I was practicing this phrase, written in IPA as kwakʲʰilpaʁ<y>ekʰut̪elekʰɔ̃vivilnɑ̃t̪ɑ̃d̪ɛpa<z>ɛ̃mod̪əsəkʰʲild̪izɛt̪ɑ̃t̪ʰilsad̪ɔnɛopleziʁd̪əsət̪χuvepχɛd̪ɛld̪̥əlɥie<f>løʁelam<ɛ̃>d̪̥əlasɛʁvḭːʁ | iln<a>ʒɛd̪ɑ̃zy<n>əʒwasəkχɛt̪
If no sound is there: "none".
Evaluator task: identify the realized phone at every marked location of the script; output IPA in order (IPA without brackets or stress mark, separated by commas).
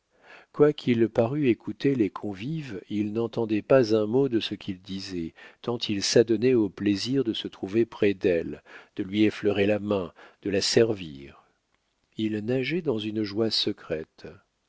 y, z, f, ɛ̃, a, n